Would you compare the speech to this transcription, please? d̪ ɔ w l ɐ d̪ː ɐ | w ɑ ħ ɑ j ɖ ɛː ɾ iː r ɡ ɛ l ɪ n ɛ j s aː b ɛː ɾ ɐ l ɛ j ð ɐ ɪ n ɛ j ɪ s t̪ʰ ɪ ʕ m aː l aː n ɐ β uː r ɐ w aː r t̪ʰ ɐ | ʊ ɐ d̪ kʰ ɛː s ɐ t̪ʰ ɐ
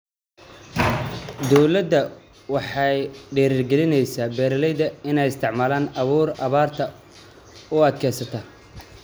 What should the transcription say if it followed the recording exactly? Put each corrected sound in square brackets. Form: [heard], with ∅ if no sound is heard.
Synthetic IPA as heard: d̪ ɔ w l ɐ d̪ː ɐ | w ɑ ħ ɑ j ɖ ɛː ɾ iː r ɡ ɛ l ɪ n ɛ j s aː b ɛː ɾ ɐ l ɛ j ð ɐ ɪ n ɛ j ɪ s t̪ʰ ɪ ʕ m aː l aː n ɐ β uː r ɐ [β] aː r t̪ʰ ɐ | ʊ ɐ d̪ kʰ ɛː s ɐ t̪ʰ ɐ